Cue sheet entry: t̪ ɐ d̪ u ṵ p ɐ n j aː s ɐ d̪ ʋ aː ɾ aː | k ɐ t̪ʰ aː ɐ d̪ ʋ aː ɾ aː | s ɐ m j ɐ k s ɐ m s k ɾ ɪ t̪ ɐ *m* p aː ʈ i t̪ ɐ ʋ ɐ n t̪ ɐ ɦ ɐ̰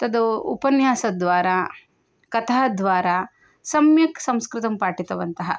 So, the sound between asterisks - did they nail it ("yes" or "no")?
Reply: yes